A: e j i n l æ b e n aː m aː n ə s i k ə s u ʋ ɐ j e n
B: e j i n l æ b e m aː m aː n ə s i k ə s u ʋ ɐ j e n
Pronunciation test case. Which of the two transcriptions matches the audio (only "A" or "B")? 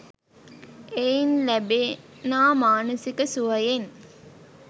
A